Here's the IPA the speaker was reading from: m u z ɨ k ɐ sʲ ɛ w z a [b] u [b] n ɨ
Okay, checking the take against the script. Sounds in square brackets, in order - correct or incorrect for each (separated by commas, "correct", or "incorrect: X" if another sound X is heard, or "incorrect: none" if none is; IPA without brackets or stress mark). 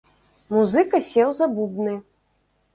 correct, correct